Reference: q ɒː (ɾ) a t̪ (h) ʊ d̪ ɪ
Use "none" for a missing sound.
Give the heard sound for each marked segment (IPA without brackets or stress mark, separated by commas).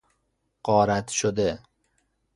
ɾ, ʃ